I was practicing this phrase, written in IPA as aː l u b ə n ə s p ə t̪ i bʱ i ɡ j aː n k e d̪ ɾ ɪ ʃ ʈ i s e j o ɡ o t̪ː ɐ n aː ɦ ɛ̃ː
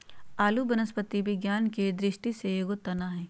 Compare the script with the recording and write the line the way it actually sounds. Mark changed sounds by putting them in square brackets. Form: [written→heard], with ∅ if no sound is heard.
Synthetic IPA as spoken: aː l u b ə n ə s p ə t̪ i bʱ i ɡ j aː n k e d̪ ɾ ɪ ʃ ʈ i s e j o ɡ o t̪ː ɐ n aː ɦ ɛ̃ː